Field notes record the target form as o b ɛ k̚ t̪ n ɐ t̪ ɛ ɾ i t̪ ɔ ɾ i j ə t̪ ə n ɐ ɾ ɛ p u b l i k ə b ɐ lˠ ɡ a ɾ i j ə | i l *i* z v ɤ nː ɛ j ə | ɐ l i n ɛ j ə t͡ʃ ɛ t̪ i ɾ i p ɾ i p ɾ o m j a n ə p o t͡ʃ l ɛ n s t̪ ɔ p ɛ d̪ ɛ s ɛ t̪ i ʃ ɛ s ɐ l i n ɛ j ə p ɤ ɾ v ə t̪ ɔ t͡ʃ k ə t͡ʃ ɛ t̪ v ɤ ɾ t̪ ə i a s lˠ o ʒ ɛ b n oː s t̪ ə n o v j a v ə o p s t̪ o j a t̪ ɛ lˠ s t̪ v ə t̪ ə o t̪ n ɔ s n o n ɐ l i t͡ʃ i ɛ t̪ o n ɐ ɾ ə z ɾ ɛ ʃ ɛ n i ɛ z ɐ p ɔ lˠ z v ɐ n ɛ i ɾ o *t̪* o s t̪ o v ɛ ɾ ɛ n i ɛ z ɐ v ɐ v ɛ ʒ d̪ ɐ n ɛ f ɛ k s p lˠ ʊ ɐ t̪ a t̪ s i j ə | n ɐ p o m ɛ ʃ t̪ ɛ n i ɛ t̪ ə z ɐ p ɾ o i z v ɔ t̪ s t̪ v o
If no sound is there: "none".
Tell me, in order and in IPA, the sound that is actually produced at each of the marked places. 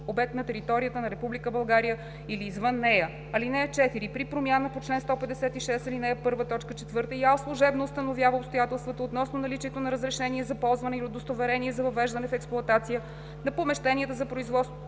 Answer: iː, d̪

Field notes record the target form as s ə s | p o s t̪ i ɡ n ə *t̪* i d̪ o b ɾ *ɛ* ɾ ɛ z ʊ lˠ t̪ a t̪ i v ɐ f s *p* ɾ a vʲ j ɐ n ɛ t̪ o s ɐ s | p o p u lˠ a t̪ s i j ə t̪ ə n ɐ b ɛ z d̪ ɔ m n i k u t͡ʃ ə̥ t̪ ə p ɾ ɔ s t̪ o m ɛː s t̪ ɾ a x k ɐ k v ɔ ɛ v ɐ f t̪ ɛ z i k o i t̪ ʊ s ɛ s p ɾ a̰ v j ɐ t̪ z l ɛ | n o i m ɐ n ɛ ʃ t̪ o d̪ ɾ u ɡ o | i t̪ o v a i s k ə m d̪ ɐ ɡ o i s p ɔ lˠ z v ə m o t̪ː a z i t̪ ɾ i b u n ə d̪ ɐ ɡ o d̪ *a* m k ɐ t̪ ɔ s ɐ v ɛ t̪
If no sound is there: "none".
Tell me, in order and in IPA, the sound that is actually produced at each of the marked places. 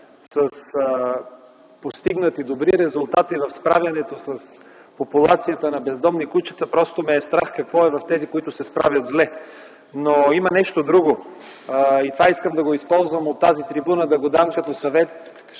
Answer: t̪, i, p, a

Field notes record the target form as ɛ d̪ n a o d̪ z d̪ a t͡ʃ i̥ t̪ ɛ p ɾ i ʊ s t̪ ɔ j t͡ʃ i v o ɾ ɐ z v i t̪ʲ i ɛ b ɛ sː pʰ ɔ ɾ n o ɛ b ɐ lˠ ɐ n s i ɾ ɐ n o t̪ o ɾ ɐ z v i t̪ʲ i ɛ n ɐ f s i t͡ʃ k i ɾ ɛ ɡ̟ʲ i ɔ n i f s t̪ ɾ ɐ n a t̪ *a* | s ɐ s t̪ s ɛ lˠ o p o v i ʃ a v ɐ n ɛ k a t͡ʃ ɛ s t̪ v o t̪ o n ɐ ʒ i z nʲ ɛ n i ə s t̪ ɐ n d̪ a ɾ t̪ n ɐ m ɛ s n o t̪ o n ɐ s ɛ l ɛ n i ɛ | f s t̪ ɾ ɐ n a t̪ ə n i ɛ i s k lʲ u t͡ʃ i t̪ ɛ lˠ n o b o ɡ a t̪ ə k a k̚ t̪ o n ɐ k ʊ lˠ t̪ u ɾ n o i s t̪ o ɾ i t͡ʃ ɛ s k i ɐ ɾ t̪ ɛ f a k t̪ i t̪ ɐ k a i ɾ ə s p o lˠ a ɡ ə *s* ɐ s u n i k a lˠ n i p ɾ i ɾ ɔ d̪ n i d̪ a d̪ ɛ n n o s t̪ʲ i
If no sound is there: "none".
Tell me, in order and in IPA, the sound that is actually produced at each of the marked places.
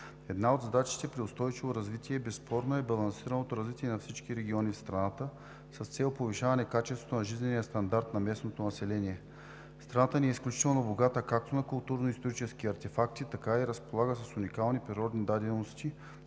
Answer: ə, s

